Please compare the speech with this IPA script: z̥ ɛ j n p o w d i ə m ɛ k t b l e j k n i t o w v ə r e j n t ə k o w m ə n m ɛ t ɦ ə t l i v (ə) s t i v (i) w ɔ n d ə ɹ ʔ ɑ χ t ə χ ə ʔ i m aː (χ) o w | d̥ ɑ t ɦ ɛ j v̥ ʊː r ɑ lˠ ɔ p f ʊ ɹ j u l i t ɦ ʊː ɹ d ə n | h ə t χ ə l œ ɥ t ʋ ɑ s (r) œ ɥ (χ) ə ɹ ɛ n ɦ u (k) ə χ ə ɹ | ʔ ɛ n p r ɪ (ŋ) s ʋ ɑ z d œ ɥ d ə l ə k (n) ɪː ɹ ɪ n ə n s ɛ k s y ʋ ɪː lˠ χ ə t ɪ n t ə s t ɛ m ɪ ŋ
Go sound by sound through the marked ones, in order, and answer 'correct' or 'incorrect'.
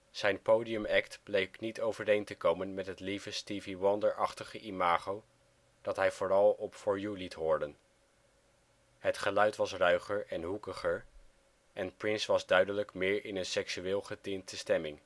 correct, correct, correct, correct, correct, correct, incorrect, incorrect

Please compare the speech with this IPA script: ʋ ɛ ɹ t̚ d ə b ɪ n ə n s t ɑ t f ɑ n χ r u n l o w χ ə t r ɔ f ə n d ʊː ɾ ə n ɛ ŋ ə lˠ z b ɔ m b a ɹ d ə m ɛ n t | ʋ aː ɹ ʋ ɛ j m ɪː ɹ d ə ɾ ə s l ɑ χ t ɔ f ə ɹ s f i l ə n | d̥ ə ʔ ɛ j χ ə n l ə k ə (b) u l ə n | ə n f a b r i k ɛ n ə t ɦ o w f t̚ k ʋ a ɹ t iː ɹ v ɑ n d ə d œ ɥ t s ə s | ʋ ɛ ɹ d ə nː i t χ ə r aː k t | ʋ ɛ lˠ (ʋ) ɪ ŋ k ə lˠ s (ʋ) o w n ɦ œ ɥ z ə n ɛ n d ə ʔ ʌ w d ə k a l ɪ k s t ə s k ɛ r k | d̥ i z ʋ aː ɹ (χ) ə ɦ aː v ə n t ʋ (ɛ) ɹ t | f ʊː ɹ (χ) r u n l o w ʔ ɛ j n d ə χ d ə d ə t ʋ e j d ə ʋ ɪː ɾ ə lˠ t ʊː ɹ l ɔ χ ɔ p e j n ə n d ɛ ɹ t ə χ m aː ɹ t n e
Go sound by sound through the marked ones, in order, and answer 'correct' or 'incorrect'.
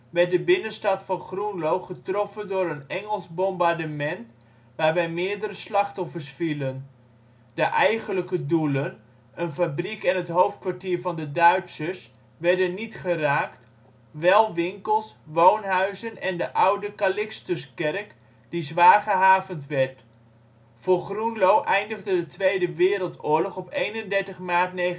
incorrect, correct, correct, correct, correct, correct

